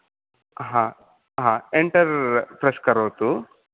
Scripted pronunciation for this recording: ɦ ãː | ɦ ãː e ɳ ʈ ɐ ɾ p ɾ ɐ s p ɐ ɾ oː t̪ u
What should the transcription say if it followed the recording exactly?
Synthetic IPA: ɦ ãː | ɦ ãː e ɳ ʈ ɐ ɾ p ɾ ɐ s k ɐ ɾ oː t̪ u